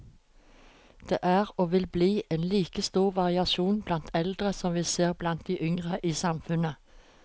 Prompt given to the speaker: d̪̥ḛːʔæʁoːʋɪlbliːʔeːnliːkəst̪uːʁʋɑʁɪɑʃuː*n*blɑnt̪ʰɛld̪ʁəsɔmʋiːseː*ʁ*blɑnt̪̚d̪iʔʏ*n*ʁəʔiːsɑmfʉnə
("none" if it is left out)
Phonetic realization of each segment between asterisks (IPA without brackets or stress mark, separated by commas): n, ʁ, ŋ